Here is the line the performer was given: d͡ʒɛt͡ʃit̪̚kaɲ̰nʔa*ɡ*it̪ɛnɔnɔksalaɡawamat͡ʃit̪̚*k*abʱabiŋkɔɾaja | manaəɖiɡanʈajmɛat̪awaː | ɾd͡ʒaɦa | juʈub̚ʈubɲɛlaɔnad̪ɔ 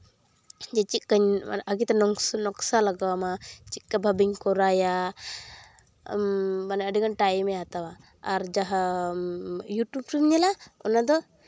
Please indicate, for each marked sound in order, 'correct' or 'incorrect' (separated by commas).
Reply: correct, correct